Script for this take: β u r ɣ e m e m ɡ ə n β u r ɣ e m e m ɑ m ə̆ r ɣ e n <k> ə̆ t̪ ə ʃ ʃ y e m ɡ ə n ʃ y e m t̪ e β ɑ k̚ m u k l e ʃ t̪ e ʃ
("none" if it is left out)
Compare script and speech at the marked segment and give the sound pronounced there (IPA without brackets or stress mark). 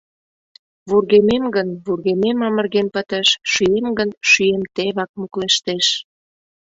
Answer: p